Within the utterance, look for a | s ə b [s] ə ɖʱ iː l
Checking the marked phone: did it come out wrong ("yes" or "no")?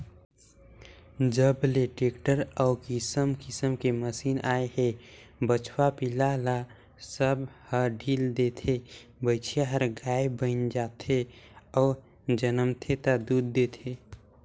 yes